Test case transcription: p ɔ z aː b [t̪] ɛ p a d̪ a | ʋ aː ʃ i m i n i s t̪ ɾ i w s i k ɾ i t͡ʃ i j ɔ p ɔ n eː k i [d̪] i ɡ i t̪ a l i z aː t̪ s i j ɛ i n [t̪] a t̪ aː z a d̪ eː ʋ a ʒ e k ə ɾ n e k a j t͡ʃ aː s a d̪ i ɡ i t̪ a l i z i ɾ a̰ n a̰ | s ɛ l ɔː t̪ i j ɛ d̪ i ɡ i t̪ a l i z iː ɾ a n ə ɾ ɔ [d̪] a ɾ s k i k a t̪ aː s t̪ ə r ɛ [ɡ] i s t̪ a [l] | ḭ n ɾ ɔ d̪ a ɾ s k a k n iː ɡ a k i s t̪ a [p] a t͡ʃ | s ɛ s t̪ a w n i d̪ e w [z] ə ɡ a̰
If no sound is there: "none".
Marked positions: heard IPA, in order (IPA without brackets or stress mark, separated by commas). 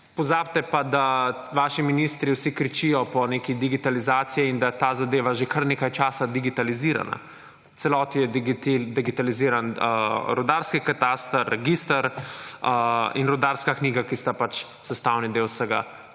t̪, d̪, d̪, d̪, ɡ, ɾ, p, s